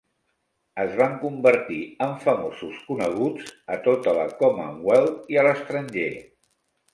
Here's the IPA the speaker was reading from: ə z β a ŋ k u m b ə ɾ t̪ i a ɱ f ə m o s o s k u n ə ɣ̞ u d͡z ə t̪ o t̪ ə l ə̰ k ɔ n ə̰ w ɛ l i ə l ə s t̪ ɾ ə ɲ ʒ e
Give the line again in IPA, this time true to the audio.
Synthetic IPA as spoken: ə z β a ŋ k u m b ə ɾ t̪ i ə ɱ f ə m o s u s k u n ə ɣ̞ u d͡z ə t̪ o t̪ ə l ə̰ k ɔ m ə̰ w ɛ l i ə l ə s t̪ ɾ ə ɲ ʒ e